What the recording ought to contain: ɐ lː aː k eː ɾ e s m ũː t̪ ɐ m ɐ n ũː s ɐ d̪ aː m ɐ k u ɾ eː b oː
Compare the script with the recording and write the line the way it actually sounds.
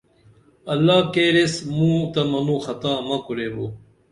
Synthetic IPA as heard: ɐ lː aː k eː ɾ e s m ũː t̪ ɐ m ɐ n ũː x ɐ t̪ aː m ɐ k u ɾ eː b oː